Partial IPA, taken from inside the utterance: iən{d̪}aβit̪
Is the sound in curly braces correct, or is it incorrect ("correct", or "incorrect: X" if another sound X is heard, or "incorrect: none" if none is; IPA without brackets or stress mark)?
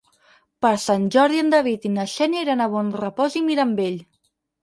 correct